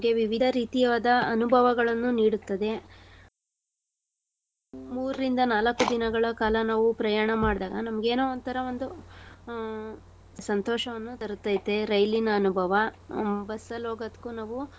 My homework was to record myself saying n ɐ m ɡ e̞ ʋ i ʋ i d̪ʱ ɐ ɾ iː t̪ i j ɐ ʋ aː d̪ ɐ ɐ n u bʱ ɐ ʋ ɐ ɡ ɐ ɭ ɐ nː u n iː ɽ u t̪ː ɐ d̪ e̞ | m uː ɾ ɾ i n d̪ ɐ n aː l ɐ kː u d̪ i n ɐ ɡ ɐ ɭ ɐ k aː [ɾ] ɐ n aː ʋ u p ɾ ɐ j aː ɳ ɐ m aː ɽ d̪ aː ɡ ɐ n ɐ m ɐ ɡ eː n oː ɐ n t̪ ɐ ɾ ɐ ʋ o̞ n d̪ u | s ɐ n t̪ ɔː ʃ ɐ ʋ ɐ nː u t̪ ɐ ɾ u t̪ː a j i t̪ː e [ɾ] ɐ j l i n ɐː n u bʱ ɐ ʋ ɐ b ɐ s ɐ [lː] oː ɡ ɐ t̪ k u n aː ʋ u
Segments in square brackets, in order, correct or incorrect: incorrect: l, correct, incorrect: l

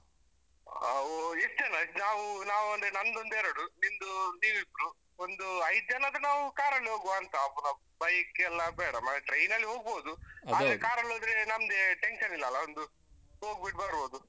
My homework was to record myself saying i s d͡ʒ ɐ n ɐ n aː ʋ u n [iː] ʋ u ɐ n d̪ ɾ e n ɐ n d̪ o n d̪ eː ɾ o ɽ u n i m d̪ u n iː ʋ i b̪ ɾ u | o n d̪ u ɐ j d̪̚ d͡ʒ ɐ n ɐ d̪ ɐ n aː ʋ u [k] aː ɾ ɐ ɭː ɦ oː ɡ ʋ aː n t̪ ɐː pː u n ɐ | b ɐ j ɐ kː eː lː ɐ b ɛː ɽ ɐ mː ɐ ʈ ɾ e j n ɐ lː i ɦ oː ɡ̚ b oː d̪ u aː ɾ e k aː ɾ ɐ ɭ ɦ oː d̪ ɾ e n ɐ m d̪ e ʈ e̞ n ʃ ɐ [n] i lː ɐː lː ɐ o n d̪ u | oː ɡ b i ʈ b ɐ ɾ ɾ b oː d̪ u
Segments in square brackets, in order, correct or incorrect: incorrect: aː, correct, correct

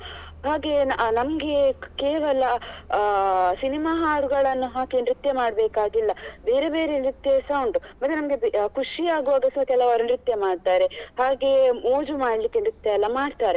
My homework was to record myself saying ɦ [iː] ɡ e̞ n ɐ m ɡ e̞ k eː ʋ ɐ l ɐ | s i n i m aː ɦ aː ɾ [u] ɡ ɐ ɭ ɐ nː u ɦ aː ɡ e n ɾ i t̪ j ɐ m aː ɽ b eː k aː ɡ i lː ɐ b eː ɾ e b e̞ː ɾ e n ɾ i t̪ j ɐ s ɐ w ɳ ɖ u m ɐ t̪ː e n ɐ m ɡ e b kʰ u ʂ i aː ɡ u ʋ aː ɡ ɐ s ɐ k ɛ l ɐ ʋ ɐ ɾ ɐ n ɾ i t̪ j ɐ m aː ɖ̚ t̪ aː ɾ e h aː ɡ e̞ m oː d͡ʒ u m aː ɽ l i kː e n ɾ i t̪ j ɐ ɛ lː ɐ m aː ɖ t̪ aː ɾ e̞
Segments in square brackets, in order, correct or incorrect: incorrect: aː, correct

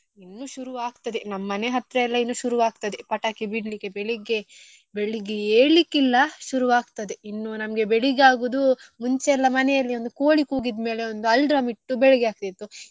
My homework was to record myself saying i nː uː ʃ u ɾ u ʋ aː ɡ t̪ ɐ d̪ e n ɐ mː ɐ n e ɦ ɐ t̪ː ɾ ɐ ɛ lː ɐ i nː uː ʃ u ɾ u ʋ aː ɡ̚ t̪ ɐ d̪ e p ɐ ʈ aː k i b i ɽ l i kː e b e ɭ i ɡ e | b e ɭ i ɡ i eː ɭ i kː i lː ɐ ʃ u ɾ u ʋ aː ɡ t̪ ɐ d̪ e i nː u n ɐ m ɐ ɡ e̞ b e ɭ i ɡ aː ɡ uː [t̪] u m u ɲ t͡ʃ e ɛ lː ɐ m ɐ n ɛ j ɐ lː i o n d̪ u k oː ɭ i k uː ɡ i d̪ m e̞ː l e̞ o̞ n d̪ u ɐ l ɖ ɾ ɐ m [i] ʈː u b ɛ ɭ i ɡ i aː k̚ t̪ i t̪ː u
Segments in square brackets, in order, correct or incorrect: incorrect: d̪, correct

